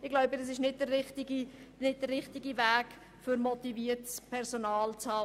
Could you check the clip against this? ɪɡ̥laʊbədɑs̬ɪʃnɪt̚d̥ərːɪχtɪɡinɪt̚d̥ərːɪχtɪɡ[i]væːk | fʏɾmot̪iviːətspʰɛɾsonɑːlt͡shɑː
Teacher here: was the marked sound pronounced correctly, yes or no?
yes